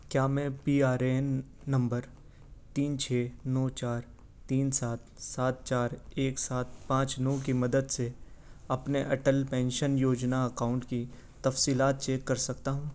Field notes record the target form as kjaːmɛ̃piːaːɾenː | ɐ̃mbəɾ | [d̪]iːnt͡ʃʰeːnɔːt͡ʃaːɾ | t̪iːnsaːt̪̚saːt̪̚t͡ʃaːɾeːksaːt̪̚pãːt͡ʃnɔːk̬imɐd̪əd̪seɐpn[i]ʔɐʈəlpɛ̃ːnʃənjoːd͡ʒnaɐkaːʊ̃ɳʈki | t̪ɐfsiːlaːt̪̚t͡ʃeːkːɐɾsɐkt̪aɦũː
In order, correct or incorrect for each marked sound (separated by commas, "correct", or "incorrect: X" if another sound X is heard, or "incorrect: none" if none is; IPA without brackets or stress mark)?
incorrect: t̪, incorrect: e